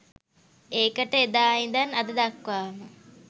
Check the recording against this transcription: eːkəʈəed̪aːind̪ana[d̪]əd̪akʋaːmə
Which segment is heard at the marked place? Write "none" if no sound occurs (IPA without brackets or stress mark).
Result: d̪